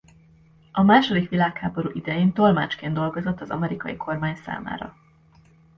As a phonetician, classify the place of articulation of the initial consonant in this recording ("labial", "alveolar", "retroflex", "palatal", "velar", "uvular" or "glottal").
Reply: labial